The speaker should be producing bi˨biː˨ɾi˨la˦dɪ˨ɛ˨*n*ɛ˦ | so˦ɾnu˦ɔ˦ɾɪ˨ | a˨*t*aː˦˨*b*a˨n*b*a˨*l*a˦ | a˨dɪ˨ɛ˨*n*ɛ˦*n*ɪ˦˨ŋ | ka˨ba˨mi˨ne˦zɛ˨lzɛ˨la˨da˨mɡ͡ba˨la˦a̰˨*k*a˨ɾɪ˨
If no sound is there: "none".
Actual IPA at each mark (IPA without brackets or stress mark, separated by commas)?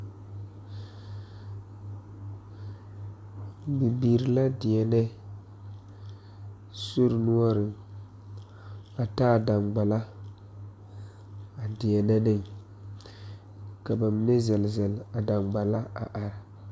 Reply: n, t, d, ɡ͡b, l, n, n, ʔ